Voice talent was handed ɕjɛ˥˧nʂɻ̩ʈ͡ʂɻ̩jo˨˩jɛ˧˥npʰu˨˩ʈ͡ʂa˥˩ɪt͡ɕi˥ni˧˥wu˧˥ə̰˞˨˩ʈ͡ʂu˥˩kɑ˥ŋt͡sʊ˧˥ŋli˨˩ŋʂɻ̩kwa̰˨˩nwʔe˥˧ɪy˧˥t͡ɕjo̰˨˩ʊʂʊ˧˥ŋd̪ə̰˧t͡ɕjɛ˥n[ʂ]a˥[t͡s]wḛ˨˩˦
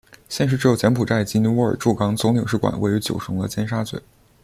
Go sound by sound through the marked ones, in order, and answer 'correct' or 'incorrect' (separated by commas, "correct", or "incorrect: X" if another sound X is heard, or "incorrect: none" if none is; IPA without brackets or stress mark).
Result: correct, correct